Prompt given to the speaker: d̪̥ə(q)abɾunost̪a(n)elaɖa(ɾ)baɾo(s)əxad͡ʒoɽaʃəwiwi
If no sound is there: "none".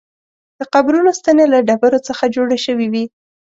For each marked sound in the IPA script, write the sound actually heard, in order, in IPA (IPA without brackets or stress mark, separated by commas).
q, n, none, t͡s